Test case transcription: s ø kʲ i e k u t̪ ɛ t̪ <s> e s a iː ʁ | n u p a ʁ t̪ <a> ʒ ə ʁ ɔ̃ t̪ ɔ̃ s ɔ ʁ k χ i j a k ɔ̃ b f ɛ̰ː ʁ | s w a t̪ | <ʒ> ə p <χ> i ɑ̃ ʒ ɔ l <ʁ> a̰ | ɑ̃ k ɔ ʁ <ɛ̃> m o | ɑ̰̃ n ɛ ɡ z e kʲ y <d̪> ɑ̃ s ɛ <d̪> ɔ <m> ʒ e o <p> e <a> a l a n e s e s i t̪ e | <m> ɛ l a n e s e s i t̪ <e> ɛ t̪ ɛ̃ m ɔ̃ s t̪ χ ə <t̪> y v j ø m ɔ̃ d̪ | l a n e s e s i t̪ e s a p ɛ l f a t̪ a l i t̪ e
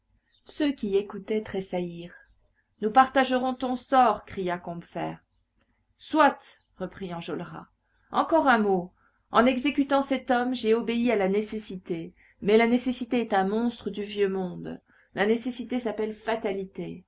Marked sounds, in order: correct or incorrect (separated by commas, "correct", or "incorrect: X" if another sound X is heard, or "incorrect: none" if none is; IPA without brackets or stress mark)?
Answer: incorrect: χ, correct, incorrect: ʁ, correct, correct, correct, incorrect: t̪, incorrect: t̪, correct, incorrect: b, incorrect: i, correct, correct, incorrect: d̪